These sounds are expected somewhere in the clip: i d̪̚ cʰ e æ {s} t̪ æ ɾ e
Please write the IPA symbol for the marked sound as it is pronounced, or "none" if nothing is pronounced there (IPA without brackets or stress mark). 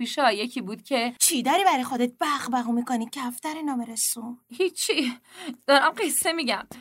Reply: f